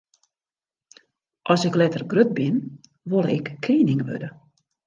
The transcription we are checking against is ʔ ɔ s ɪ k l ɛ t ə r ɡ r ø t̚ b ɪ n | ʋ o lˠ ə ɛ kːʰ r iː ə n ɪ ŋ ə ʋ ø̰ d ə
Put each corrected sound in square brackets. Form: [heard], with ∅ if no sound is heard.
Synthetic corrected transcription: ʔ ɔ s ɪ k l ɛ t ə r ɡ r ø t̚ b ɪ n | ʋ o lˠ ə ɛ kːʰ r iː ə n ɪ ŋ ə ʋ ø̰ d ə